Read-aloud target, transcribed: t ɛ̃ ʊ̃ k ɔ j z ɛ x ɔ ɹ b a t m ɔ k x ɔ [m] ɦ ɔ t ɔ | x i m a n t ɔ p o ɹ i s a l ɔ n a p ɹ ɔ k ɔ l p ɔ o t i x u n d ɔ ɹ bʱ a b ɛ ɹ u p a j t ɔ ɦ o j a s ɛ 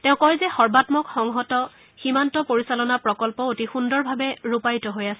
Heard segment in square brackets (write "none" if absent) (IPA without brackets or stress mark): ŋ